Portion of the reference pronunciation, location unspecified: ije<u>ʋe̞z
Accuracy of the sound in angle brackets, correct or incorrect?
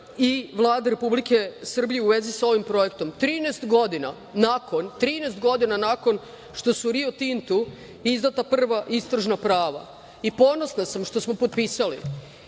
correct